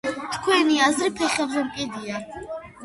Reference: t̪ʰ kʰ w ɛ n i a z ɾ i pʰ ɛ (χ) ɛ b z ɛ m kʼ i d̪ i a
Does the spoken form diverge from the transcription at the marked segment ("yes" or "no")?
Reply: no